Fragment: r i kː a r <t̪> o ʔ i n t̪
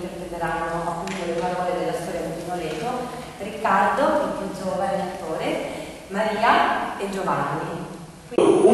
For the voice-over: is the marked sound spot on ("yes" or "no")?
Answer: no